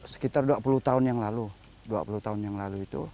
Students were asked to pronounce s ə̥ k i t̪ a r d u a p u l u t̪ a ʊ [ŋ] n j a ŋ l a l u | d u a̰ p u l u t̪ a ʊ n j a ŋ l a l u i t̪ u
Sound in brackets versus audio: incorrect: none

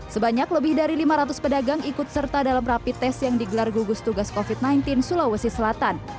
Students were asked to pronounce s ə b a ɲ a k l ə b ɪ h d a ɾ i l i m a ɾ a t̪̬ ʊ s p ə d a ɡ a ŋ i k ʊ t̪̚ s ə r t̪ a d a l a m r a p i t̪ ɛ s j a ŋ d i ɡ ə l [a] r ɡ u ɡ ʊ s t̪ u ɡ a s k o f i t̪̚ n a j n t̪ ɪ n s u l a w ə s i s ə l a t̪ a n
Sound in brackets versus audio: correct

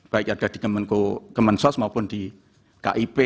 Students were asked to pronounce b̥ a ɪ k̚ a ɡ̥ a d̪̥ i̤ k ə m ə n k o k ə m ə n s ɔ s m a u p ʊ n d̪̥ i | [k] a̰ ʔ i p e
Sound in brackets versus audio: correct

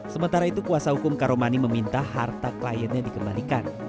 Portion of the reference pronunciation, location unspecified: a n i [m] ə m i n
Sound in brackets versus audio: correct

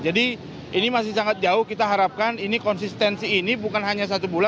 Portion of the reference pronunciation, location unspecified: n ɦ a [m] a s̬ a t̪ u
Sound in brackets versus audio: incorrect: ɲ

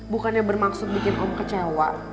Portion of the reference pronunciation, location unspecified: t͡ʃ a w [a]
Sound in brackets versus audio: correct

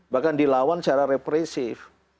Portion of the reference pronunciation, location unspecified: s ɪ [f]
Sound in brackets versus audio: correct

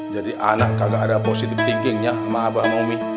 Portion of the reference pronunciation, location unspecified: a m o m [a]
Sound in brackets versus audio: incorrect: i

